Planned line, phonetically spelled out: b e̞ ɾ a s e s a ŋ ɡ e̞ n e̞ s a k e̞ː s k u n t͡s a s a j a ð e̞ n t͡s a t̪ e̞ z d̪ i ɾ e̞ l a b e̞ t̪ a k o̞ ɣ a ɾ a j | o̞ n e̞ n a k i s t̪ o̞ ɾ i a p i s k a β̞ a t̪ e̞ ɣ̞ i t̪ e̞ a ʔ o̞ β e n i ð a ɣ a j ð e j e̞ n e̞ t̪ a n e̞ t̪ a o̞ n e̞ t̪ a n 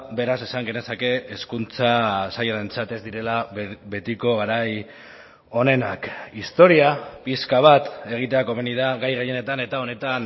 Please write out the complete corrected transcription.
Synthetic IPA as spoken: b e̞ ɾ a s e s a ŋ ɡ e̞ n e̞ s a k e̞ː s k u n t͡s a s a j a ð e̞ n t͡s a t̪ e̞ z d̪ i ɾ e̞ l a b e̞ t̪ i k o̞ ɣ a ɾ a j | o̞ n e̞ n a k i s t̪ o̞ ɾ i a p i s k a β̞ a t̪ e̞ ɣ̞ i t̪ e̞ a k o̞ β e n i ð a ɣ a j ɣ e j e̞ n e̞ t̪ a n e̞ t̪ a o̞ n e̞ t̪ a n

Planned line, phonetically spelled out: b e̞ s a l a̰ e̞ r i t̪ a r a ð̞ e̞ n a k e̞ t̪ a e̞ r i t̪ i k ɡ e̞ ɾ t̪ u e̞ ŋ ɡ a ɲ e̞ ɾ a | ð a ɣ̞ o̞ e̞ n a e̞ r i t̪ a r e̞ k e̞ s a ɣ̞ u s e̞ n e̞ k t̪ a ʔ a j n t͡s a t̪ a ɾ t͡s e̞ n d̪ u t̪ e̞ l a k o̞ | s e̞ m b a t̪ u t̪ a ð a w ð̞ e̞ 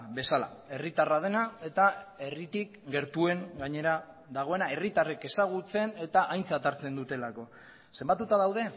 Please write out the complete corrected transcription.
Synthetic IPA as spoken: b e̞ s a l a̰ e̞ r i t̪ a r a ð̞ e̞ n a e̞ t̪ a e̞ r i t̪ i k ɡ e̞ ɾ t̪ u e̞ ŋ ɡ a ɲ e̞ ɾ a | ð a ɣ̞ o̞ e̞ n a e̞ r i t̪ a r e̞ k e̞ s a ɣ̞ u t͡s e̞ n e̞ t̪ a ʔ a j n t͡s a t̪ a ɾ t͡s e̞ n d̪ u t̪ e̞ l a k o̞ | s e̞ m b a t̪ u t̪ a ð a w ð̞ e̞

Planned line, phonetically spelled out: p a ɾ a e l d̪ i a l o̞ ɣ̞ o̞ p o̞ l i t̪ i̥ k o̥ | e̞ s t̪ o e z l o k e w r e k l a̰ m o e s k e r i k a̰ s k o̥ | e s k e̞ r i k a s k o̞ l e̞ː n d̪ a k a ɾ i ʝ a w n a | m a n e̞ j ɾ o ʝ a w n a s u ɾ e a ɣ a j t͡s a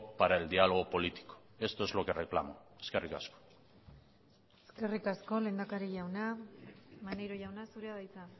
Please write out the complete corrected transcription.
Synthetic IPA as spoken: p a ɾ a e l d̪ i a l o̞ ɣ̞ o̞ p o̞ l i t̪ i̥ k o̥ | e̞ s t̪ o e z l o k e r e k l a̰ m o e s k e r i k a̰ s k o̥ | e s k e̞ r i k a s k o̞ l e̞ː n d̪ a k a ɾ i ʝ a w n a | m a n e̞ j ɾ o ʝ a w n a s u ɾ e a ð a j t͡s a

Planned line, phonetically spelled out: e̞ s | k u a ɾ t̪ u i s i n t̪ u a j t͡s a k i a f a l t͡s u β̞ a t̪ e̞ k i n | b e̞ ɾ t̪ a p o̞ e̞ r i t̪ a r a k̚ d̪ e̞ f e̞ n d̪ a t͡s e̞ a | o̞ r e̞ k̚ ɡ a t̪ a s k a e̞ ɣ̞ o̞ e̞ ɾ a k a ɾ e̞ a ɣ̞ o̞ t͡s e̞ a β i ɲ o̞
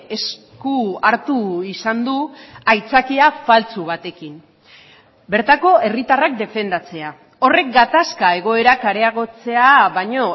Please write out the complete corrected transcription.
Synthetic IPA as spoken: e̞ s | k u a ɾ t̪ u i s a n d̪ u a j t͡s a k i a f a l t͡s u β̞ a t̪ e̞ k i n | b e̞ ɾ t̪ a k o̞ e̞ r i t̪ a r a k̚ d̪ e̞ f e̞ n d̪ a t͡s e̞ a | o̞ r e̞ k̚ ɡ a t̪ a s k a e̞ ɣ̞ o̞ e̞ ɾ a k a ɾ e̞ a ɣ̞ o̞ t͡s e̞ a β a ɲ o̞

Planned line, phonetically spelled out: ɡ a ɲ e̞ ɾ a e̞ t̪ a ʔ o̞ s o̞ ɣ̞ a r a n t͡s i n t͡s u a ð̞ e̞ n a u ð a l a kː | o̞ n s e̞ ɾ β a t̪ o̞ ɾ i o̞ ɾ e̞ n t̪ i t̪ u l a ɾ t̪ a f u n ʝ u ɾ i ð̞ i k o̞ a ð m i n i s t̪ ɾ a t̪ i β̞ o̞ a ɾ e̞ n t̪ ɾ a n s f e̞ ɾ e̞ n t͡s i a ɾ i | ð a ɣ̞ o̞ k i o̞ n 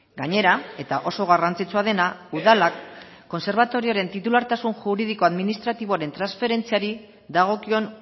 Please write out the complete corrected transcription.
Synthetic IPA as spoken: ɡ a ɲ e̞ ɾ a e̞ t̪ a ʔ o̞ s o̞ ɣ̞ a r a n t͡s i t͡s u a ð̞ e̞ n a u ð a l a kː | o̞ n s e̞ ɾ β a t̪ o̞ ɾ i o̞ ɾ e̞ n t̪ i t̪ u l a ɾ t̪ a s u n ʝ u ɾ i ð̞ i k o̞ a ð m i n i s t̪ ɾ a t̪ i β̞ o̞ a ɾ e̞ n t̪ ɾ a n s f e̞ ɾ e̞ n t͡s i a ɾ i | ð a ɣ̞ o̞ k i o̞ n

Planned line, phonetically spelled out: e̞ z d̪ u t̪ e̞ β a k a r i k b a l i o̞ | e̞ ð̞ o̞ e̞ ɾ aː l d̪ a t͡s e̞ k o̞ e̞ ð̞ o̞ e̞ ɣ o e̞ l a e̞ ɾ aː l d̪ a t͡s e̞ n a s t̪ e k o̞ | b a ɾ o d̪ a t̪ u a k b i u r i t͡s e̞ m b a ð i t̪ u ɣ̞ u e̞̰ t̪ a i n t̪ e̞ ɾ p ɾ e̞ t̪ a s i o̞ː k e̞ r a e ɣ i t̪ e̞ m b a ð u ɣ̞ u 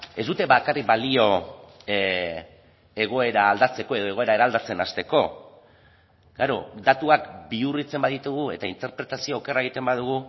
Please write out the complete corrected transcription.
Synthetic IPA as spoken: e̞ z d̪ u t̪ e̞ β a k a r i k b a l i o̞ | e̞ ɣ̞ o̞ e̞ ɾ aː l d̪ a t͡s e̞ k o̞ e̞ ð̞ o̞ e̞ ɣ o e̞ ɾ a e̞ ɾ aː l d̪ a t͡s e̞ n a s t̪ e k o̞ | ɡ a ɾ o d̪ a t̪ u a k b i u r i t͡s e̞ m b a ð i t̪ u ɣ̞ u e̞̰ t̪ a i n t̪ e̞ ɾ p ɾ e̞ t̪ a s i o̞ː k e̞ r a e ɣ i t̪ e̞ m b a ð u ɣ̞ u

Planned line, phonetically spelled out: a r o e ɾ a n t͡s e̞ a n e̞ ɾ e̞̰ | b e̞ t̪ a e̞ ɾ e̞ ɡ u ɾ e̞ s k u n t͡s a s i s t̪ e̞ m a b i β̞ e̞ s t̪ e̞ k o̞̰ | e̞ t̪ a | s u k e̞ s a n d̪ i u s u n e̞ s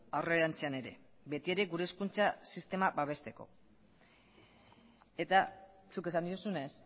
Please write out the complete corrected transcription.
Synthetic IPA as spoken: a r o e ɾ a n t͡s e̞ a n e̞ ɾ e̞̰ | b e̞ t̪ i e̞ ɾ e̞ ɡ u ɾ e̞ s k u n t͡s a s i s t̪ e̞ m a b a β̞ e̞ s t̪ e̞ k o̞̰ | e̞ t̪ a | s u k e̞ s a n d̪ i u s u n e̞ s

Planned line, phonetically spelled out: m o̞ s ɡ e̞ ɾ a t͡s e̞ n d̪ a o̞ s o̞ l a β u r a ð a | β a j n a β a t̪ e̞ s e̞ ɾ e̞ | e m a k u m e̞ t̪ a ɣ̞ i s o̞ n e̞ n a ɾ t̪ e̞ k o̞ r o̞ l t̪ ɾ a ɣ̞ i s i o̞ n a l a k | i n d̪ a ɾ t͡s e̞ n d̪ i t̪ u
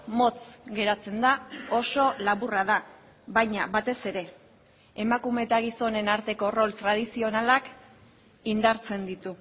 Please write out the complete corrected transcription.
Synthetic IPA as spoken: m o̞ t͡s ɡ e̞ ɾ a t͡s e̞ n d̪ a o̞ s o̞ l a β u r a ð a | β a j ɲ a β a t̪ e̞ s e̞ ɾ e̞ | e m a k u m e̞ t̪ a ɣ̞ i s o̞ n e̞ n a ɾ t̪ e̞ k o̞ r o̞ l t̪ ɾ a ð̞ i s i o̞ n a l a k | i n d̪ a ɾ t͡s e̞ n d̪ i t̪ u

